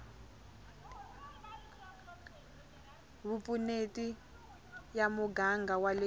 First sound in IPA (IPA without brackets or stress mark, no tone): β